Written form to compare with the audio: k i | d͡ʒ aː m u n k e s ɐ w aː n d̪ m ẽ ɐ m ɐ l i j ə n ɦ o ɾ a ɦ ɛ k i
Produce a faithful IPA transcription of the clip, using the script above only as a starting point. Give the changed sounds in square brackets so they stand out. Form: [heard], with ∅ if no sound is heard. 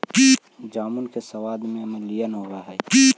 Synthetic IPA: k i | d͡ʒ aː m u n k e s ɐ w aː [∅] d̪ m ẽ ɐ m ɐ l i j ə n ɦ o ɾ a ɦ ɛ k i